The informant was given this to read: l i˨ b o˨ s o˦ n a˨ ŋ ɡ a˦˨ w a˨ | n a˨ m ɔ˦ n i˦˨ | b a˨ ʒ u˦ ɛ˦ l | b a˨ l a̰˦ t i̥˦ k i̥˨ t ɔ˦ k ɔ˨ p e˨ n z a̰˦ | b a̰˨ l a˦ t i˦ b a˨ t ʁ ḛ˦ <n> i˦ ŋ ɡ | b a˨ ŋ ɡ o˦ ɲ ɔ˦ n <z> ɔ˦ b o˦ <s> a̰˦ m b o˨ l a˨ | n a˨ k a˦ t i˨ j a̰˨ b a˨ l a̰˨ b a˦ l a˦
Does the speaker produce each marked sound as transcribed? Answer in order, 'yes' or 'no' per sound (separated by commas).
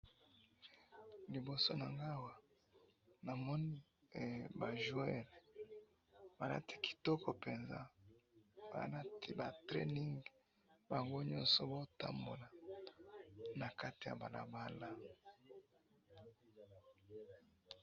yes, no, no